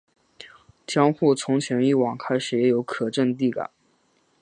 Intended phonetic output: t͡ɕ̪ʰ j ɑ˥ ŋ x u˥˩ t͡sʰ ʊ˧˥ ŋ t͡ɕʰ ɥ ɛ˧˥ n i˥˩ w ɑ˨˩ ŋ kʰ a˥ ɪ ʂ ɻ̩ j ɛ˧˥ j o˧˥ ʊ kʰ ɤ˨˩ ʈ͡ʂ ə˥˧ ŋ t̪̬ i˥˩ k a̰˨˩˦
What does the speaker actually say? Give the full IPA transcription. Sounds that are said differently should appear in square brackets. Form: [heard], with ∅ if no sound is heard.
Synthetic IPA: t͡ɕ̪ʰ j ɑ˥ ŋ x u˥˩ t͡sʰ ʊ˧˥ ŋ t͡ɕʰ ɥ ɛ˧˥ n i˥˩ w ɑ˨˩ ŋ kʰ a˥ ɪ ʂ ɻ̩ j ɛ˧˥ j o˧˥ ʊ kʰ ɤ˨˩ ʈ͡ʂ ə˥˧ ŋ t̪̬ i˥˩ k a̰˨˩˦